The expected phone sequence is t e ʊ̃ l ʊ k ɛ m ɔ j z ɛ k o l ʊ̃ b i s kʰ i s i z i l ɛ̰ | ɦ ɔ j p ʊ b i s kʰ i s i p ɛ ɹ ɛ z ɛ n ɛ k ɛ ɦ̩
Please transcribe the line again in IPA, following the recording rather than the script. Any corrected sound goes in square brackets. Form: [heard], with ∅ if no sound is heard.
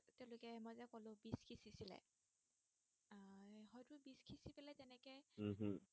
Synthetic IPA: t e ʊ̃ l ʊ k ɛ m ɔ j z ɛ k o l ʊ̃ b i s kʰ i s i [s] i l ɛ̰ | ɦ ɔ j [t] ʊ b i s kʰ i s i p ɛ [l] ɛ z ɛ n ɛ k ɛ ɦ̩